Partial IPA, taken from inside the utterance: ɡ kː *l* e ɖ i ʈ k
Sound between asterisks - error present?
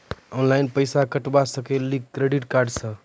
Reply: yes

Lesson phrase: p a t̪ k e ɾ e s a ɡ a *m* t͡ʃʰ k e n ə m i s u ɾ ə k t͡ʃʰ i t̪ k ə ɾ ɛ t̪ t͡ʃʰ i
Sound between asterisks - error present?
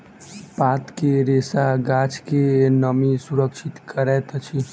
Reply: yes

